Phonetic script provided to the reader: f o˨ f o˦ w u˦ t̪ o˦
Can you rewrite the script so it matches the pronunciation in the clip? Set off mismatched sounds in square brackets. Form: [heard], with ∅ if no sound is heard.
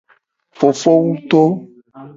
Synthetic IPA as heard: f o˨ f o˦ w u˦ t̪ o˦

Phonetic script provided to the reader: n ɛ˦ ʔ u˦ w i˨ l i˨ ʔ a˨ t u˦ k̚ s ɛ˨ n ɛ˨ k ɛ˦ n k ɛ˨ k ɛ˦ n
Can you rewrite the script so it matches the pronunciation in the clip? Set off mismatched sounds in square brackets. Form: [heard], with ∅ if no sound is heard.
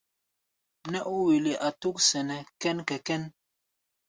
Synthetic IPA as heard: n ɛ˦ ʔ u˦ w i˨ l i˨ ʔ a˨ t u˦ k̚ s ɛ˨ n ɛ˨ k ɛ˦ n k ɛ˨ k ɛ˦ n

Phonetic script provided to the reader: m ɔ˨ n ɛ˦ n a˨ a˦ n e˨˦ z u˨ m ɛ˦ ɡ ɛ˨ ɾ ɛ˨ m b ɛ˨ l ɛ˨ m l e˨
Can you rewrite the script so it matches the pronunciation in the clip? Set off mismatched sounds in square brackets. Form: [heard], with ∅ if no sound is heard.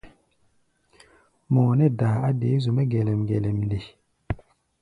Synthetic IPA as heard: m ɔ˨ n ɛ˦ [d] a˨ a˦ [d] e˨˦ z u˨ m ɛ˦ ɡ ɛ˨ [l] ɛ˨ m [ɡ] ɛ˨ l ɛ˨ m l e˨

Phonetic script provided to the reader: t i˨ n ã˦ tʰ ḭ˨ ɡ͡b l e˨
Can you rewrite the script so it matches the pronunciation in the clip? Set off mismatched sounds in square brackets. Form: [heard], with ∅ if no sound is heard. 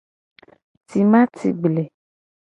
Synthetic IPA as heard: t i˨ [m] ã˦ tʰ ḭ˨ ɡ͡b l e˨

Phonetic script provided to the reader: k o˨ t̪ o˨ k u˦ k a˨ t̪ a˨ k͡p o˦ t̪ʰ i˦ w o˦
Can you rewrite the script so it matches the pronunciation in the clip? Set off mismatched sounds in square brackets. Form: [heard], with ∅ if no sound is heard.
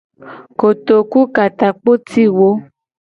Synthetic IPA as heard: k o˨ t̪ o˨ k u˦ k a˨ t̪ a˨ k͡p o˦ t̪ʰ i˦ w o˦

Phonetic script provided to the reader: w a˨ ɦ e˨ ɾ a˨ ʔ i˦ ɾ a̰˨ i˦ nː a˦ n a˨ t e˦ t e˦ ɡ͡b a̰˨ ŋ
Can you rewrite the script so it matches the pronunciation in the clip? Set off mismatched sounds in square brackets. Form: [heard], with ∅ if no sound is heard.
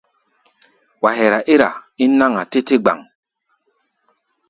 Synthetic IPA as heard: w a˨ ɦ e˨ ɾ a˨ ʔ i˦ ɾ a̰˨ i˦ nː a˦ [ŋ] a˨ t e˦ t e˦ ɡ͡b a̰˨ ŋ

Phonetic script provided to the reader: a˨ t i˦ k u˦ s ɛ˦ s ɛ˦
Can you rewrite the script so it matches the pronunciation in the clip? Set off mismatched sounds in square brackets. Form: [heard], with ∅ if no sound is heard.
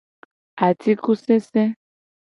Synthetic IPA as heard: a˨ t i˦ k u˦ s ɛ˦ s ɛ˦

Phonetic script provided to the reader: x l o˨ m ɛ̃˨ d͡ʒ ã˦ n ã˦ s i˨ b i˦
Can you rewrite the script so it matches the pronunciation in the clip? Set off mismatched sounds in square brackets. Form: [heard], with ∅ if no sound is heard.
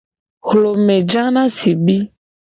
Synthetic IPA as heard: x l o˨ m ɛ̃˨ d͡ʒ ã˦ n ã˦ s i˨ b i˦

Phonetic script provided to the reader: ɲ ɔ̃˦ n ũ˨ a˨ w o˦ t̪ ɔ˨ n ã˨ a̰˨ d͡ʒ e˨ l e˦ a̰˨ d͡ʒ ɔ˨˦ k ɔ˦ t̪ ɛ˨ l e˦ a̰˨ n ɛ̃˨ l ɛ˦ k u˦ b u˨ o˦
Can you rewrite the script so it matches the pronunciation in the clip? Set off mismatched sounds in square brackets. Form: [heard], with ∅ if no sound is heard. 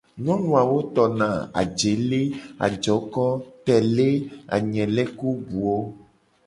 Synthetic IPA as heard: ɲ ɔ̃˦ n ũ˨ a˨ w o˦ t̪ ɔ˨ n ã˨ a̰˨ d͡ʒ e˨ l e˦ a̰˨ d͡ʒ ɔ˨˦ k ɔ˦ t̪ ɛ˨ l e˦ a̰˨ [ɲ] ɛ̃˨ l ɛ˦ k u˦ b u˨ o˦

